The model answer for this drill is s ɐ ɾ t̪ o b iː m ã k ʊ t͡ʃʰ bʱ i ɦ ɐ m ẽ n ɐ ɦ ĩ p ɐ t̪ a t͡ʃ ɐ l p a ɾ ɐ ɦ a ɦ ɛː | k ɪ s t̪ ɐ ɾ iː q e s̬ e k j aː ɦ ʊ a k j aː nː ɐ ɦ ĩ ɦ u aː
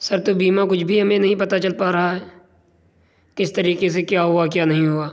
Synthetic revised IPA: s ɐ ɾ t̪ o b iː m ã k ʊ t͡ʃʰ bʱ i ɦ ɐ m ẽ n ɐ ɦ ĩ p ɐ t̪ a t͡ʃ ɐ l p a ɾ ɐ ɦ a ɦ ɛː | k ɪ s t̪ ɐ ɾ iː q e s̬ e k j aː ɦ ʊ a k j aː n ɐ ɦ ĩ ɦ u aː